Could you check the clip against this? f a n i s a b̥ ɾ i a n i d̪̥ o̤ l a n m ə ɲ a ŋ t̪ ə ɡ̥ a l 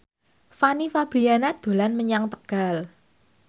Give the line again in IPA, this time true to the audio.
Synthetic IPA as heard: f a n i f a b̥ ɾ i a n a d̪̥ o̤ l a n m ə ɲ a ŋ t̪ ə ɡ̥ a l